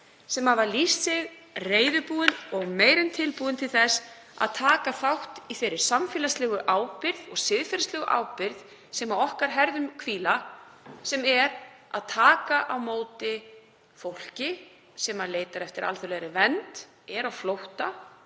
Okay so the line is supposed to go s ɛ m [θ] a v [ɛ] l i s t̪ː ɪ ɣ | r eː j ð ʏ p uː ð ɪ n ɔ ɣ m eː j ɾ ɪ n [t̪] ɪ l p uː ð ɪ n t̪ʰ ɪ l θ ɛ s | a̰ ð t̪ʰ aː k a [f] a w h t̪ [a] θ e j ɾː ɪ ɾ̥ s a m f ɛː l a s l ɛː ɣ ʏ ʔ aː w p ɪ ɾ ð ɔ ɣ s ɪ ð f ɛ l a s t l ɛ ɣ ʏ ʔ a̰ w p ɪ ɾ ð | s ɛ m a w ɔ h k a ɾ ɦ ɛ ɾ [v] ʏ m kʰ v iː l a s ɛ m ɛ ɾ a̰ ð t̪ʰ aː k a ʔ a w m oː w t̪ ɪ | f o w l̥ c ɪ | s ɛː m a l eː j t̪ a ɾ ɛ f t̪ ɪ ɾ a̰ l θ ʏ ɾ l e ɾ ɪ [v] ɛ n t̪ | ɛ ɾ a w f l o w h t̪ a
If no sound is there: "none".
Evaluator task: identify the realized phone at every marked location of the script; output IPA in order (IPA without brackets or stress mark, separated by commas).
h, a, t̪ʰ, θ, i, ð, v